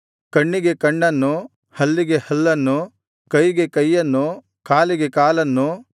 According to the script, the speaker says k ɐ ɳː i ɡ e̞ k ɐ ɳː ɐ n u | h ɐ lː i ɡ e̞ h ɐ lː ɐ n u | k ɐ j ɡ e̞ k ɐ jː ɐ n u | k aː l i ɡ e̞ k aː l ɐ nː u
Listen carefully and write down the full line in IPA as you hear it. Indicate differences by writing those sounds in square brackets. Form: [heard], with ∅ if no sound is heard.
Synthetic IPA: k ɐ ɳː i ɡ e̞ k ɐ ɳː ɐ [nː] u | h ɐ lː i ɡ e̞ h ɐ lː ɐ [nː] u | k ɐ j ɡ e̞ k ɐ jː ɐ [nː] u | k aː l i ɡ e̞ k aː l ɐ nː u